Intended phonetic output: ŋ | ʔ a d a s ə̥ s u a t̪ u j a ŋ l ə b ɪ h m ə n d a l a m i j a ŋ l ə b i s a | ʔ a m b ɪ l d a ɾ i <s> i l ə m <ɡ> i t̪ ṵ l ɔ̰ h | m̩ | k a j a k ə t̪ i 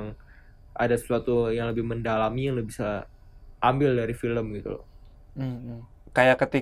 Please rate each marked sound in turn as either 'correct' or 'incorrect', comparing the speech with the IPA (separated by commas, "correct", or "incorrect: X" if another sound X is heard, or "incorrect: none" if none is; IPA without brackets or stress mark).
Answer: incorrect: f, correct